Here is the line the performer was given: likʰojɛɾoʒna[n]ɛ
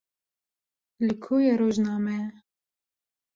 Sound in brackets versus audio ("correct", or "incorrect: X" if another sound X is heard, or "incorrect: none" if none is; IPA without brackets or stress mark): incorrect: m